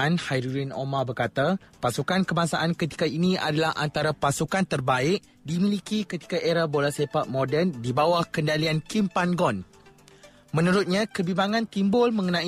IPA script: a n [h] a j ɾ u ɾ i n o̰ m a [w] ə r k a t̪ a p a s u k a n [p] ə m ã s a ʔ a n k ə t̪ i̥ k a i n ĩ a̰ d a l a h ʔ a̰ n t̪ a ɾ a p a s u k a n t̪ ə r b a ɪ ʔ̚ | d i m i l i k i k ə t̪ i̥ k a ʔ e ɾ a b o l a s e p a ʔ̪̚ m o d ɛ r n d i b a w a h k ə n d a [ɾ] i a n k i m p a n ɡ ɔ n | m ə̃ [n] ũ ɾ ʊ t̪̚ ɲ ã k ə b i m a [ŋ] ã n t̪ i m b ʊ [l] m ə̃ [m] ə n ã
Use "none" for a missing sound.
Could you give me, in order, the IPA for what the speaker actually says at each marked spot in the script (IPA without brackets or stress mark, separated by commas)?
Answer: h, b, k, l, n, ŋ, l, ŋ